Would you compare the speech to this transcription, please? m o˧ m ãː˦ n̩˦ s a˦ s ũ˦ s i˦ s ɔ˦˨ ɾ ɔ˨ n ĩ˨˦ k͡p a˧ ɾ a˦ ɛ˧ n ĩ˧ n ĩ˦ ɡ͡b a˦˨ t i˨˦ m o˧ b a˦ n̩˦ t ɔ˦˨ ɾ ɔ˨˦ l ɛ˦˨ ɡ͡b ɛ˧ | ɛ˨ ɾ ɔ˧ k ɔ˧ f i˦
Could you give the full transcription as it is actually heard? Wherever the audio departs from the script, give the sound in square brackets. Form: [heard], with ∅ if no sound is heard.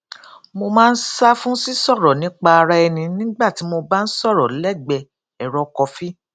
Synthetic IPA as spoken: m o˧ m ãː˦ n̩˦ s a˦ [f] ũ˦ s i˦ s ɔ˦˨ ɾ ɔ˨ n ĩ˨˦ k͡p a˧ ɾ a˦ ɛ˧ n ĩ˧ n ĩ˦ ɡ͡b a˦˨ t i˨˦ m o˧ b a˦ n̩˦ [s] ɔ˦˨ ɾ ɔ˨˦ l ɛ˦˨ ɡ͡b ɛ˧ | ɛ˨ ɾ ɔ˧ k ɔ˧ f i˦